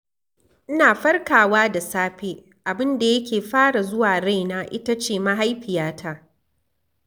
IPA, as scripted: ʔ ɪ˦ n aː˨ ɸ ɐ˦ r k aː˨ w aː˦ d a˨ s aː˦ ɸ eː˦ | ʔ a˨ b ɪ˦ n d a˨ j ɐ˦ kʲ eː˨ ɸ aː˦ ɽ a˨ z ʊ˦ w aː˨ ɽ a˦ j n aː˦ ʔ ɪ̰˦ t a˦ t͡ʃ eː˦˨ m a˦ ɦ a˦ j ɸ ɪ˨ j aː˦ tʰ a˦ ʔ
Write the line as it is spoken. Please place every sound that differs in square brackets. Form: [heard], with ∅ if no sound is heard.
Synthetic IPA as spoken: ʔ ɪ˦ n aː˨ ɸ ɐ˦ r k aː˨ w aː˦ d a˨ s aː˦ ɸ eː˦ | ʔ a˨ b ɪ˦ n d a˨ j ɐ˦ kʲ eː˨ ɸ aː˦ ɽ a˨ z ʊ˦ w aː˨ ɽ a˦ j n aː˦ ʔ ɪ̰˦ t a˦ t͡ʃ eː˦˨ m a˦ ɦ a˦ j ɸ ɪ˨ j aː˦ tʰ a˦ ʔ

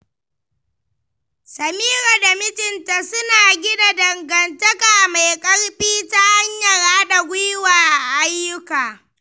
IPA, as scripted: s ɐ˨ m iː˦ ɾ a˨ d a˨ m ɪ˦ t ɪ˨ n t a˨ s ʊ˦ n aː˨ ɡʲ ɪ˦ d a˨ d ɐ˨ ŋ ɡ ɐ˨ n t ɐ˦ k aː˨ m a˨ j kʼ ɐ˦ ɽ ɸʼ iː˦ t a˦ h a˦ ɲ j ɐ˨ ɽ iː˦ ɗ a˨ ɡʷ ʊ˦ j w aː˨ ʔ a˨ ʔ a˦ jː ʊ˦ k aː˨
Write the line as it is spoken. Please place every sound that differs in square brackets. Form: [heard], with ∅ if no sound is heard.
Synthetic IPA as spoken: s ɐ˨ m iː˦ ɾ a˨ d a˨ m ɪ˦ t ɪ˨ n t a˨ s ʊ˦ n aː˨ ɡʲ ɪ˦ d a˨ d ɐ˨ ŋ ɡ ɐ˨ n t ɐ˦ k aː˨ m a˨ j kʼ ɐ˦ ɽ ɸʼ iː˦ t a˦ h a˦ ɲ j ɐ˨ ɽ [aː˦] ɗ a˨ ɡʷ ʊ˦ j w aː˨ ʔ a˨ ʔ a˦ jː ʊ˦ k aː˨

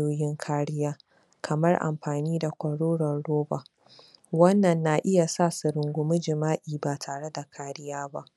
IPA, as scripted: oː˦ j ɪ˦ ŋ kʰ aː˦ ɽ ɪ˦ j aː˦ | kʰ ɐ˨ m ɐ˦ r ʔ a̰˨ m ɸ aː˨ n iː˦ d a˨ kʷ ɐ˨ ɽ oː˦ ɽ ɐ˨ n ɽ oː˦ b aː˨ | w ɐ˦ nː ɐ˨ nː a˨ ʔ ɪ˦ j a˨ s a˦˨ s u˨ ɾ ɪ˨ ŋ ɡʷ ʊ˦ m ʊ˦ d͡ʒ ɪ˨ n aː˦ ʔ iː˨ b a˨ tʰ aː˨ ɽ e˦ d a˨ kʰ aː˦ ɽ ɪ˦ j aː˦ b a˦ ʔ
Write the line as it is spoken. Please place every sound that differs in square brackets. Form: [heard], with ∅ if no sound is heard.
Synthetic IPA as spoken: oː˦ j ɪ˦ ŋ kʰ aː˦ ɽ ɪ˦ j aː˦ | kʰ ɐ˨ m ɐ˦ r ʔ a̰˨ m ɸ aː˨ n iː˦ d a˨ kʷ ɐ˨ ɽ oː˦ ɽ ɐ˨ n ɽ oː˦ b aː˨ | w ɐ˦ nː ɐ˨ nː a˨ ʔ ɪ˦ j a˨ s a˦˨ s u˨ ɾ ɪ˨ ŋ ɡʷ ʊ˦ m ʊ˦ d͡ʒ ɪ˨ [m] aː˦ ʔ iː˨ b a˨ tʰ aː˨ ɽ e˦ d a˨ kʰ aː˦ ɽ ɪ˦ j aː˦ b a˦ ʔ

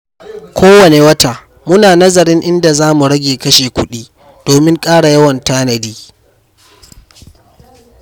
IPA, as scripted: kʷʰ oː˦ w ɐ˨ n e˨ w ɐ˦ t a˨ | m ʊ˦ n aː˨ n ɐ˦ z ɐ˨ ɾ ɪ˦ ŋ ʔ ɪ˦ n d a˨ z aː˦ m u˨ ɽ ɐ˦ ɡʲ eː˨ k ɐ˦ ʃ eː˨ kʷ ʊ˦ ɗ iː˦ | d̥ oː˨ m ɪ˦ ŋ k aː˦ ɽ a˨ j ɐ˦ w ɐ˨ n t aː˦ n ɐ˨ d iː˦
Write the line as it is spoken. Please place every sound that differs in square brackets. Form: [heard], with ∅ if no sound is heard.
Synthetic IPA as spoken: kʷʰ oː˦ w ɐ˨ n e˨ w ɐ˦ t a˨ | m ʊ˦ n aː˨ n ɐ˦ z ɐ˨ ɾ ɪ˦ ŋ ʔ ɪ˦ n d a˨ z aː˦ m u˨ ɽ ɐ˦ ɡʲ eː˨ k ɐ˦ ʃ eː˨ kʷ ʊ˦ ɗ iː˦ | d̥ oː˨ m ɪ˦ ŋ [kʼ] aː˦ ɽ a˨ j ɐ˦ w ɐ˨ n t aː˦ n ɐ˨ d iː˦

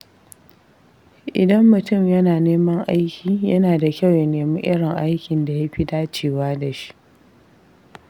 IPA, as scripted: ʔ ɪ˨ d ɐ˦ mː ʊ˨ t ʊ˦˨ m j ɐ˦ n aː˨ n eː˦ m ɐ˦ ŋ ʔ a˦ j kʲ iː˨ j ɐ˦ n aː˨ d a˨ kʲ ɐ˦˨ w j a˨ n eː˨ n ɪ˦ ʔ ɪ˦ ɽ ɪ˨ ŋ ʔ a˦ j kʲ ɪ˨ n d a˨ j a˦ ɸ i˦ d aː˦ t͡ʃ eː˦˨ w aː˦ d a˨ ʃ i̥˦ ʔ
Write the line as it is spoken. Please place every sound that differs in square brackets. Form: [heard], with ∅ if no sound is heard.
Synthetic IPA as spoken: ʔ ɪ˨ d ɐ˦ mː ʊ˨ t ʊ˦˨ m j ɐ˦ n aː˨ n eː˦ m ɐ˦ ŋ ʔ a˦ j kʲ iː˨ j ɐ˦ n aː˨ d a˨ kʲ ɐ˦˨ w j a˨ n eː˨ [m] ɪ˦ ʔ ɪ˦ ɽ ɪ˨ ŋ ʔ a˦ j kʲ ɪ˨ n d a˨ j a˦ ɸ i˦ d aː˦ t͡ʃ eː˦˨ w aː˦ d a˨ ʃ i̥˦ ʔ

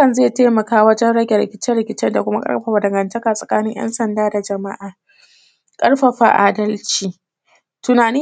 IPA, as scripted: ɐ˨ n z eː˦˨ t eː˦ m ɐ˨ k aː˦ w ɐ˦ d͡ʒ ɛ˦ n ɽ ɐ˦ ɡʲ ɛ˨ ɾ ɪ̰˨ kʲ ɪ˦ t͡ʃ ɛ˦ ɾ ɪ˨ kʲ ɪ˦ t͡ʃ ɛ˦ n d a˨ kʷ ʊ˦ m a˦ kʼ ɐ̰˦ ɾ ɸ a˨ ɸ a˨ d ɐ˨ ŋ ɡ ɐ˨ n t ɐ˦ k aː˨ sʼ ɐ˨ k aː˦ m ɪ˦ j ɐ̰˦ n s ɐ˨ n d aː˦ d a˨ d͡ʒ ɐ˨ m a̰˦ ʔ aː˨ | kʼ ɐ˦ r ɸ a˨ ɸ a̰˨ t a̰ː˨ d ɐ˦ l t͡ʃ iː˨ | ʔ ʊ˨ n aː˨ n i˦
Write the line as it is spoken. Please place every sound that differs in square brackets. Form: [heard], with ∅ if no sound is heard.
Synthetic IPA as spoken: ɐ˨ n z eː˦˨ t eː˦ m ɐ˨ k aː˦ w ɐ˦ d͡ʒ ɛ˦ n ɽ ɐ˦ ɡʲ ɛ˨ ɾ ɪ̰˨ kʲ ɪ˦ t͡ʃ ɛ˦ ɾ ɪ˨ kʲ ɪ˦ t͡ʃ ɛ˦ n d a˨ kʷ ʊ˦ m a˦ kʼ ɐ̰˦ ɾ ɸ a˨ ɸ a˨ d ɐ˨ ŋ ɡ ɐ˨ n t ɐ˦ k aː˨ sʼ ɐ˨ k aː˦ [n] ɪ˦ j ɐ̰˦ n s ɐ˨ n d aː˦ d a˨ d͡ʒ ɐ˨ m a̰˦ ʔ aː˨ | kʼ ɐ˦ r ɸ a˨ ɸ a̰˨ [ʔ] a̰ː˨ d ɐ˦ l t͡ʃ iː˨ | [t] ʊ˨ n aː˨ n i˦

